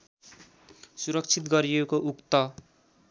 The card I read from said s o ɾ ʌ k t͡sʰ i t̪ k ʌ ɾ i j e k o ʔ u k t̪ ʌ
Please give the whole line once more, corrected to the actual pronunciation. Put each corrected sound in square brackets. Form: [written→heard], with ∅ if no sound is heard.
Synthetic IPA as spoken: s [o→u] ɾ ʌ k t͡sʰ i t̪ [k→ɡ] ʌ ɾ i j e k o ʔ u k t̪ ʌ